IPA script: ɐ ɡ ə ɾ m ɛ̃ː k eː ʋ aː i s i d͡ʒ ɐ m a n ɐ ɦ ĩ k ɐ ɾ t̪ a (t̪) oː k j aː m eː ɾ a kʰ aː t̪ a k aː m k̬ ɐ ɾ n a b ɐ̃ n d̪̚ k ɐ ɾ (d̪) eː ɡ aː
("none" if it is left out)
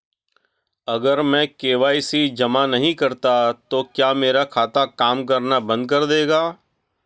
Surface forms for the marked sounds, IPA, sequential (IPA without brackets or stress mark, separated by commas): t̪, d̪